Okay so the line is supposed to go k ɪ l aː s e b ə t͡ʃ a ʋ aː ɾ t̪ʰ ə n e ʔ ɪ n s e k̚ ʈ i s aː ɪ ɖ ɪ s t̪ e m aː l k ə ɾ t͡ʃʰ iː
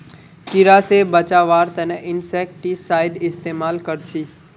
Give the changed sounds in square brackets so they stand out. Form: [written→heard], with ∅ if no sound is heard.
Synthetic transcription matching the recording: k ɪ [l→ɾ] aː s e b ə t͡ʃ a ʋ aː ɾ [t̪ʰ→t̪] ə n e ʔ ɪ n s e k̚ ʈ i s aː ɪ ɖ ɪ s t̪ e m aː l k ə ɾ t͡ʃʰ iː